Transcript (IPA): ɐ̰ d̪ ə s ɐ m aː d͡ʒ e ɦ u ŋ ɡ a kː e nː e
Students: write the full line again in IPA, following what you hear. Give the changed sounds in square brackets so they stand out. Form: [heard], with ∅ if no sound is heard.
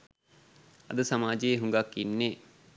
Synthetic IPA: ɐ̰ d̪ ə s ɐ m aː d͡ʒ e ɦ u ŋ ɡ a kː [i] nː e